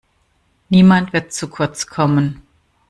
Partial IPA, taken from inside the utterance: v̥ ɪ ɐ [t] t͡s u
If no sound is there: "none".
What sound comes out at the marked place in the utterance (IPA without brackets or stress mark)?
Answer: t